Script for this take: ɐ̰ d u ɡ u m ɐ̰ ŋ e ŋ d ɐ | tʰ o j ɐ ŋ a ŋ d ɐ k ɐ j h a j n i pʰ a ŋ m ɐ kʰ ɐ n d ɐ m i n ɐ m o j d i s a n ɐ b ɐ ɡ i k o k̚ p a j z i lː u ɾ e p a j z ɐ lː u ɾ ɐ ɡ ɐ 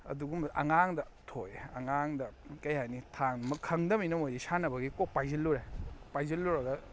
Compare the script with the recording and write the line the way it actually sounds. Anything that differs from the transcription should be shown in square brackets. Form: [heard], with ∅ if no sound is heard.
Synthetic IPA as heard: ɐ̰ d u ɡ u m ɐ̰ ŋ [a] ŋ d ɐ | tʰ o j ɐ ŋ a ŋ d ɐ k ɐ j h a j n i [tʰ] a ŋ m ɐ kʰ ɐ [ŋ] d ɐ m i n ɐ m o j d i s a n ɐ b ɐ ɡ i k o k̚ p a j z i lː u ɾ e p a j z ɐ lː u ɾ ɐ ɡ ɐ